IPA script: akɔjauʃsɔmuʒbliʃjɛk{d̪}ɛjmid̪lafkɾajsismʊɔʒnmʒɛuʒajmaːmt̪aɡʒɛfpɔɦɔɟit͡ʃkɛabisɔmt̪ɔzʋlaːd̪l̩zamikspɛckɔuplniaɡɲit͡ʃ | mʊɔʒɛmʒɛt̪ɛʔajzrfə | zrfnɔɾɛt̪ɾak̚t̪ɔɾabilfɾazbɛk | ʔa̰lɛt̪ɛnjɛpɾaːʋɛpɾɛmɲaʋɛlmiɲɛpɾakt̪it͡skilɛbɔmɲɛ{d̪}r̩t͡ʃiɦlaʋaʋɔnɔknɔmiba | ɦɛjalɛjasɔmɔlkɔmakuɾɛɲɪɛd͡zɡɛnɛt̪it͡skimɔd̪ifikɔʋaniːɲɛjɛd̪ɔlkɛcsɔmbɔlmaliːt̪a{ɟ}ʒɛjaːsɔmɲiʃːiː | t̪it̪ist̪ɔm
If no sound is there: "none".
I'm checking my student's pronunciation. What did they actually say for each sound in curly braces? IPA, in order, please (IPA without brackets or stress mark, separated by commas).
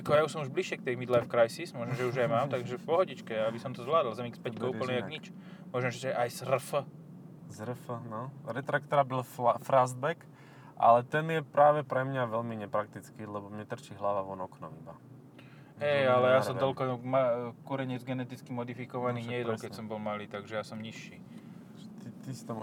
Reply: t̪, t̪, ɡ